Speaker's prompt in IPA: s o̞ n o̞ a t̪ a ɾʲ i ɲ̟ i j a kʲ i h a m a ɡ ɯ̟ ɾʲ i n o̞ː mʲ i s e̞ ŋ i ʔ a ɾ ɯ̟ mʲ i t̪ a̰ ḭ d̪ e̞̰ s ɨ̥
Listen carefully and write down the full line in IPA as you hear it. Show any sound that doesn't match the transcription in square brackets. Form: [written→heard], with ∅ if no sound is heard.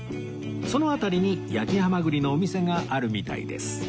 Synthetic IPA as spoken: s o̞ n o̞ a t̪ a ɾʲ i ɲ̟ i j a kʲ i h a m a ɡ ɯ̟ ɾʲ i n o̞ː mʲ i s e̞ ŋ [i→a] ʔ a ɾ ɯ̟ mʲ i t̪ a̰ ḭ d̪ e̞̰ s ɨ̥